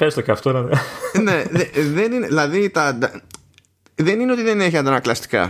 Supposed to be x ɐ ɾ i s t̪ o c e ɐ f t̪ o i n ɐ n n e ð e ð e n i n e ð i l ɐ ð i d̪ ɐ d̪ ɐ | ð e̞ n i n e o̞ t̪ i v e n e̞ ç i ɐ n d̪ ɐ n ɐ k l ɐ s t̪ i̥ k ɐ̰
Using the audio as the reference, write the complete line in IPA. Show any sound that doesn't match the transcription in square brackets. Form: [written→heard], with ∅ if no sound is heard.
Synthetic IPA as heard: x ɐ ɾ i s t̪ o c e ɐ f t̪ o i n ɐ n n e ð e ð e n i n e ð i l ɐ ð i [d̪→t̪] ɐ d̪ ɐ | ð e̞ n i n e o̞ t̪ i [v→ð] e n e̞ ç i ɐ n d̪ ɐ n ɐ k l ɐ s t̪ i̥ k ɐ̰